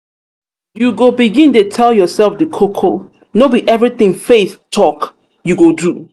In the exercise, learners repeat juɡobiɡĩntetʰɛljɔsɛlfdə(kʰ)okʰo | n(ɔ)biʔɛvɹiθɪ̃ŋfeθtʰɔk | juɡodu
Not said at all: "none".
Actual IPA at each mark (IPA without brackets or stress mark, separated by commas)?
kʰ, o